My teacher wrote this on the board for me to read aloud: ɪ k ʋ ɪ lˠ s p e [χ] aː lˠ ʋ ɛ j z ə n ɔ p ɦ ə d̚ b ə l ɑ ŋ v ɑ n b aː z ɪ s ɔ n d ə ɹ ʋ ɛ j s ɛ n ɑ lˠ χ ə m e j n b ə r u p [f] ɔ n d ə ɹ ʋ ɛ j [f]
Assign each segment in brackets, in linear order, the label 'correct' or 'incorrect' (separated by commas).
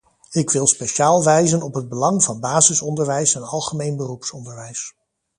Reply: incorrect, incorrect, incorrect